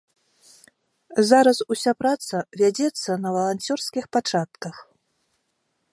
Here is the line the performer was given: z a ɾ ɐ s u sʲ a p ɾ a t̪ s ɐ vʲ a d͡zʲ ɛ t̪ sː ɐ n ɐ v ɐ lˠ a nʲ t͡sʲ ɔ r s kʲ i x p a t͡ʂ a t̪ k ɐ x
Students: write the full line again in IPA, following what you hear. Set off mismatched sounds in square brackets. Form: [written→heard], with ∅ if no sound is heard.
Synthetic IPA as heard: z a ɾ ɐ s u sʲ a p ɾ a t̪ s ɐ vʲ a d͡zʲ ɛ t̪ sː ɐ n ɐ v ɐ lˠ a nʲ t͡sʲ ɔ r s kʲ i x p a t͡ʂ a t̪ k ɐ x